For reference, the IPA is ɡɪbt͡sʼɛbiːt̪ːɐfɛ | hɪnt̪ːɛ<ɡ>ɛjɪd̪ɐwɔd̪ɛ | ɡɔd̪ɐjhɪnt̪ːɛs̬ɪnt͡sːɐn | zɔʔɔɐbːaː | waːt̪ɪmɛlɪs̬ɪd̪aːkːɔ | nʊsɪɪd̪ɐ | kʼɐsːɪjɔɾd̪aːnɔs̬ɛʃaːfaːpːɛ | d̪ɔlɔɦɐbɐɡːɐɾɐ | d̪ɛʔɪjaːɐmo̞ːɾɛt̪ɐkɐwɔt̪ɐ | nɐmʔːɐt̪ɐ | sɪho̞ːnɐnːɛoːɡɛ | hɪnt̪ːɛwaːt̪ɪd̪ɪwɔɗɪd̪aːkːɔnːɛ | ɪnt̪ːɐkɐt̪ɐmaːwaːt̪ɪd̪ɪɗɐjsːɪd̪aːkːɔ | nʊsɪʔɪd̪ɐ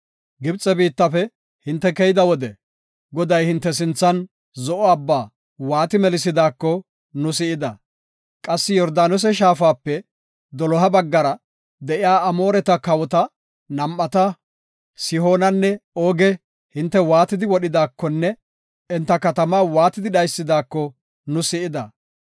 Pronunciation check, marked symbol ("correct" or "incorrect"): incorrect